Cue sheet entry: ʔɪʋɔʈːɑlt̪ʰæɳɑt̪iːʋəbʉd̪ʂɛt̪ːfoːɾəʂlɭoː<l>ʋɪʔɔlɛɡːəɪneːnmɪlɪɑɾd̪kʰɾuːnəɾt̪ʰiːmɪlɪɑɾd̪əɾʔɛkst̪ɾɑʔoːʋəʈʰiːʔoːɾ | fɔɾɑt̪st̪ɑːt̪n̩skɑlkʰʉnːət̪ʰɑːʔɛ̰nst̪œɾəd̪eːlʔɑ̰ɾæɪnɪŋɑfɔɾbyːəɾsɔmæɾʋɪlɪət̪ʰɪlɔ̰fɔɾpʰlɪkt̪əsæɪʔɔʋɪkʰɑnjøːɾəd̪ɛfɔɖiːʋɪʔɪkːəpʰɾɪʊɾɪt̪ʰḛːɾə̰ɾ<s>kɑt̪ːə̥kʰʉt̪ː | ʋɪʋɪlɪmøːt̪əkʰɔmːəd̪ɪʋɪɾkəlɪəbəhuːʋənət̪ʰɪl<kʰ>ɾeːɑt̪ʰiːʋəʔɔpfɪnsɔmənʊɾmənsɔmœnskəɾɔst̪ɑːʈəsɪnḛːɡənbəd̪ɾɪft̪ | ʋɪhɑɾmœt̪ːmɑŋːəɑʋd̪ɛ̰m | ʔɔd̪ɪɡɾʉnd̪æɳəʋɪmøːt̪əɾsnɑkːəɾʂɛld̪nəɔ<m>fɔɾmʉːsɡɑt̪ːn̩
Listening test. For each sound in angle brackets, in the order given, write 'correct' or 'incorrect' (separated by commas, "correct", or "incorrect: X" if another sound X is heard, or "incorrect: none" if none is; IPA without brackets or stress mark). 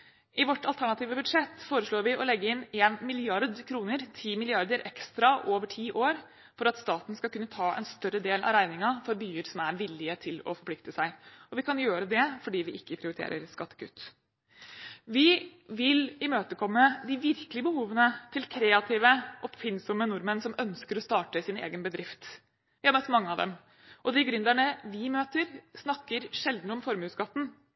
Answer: incorrect: ɾ, correct, correct, correct